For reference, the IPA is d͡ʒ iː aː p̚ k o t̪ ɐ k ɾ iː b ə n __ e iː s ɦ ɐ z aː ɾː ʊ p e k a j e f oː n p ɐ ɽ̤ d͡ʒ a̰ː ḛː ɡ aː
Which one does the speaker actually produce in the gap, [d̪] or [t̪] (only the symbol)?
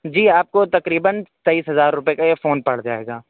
t̪